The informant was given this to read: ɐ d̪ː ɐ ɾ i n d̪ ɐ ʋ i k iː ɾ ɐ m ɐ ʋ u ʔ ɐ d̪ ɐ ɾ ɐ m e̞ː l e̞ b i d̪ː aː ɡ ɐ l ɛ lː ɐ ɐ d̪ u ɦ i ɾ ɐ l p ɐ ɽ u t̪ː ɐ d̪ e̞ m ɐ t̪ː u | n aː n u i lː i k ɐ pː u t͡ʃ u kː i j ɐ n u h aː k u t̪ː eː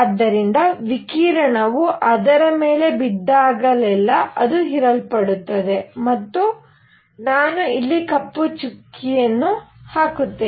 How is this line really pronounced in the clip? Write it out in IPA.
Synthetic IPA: ɐ d̪ː ɐ ɾ i n d̪ ɐ ʋ i k iː ɾ ɐ ɳ ɐ ʋ u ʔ ɐ d̪ ɐ ɾ ɐ m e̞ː l e̞ b i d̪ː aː ɡ ɐ l ɛ lː ɐ ɐ d̪ u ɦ i ɾ ɐ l p ɐ ɽ u t̪ː ɐ d̪ e̞ m ɐ t̪ː u | n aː n u i lː i k ɐ pː u t͡ʃ u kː i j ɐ nː u h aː k u t̪ː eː